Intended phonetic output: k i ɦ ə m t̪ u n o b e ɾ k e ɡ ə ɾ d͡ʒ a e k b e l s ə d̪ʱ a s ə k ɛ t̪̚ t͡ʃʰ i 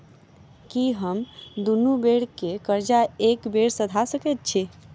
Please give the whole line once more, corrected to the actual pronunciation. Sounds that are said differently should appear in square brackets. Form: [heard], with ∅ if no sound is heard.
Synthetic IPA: k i ɦ ə m [d̪] u n [u] b e [ɽ] k e [k] ə ɾ d͡ʒ a e k b e [ɽ] s ə d̪ʱ a s ə k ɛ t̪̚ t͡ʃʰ i